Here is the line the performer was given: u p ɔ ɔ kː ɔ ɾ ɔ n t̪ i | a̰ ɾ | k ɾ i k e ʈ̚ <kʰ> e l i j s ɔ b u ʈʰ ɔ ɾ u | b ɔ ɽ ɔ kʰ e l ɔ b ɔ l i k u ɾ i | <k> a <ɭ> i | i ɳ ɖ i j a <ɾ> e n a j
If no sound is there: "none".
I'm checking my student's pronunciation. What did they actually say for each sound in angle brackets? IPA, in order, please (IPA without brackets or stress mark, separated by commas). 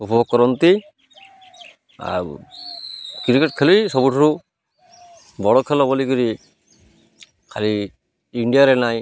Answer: kʰ, kʰ, l, ɾ